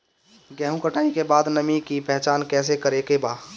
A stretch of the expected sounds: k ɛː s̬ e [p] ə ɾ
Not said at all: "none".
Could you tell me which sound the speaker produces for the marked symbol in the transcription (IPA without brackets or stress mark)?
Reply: k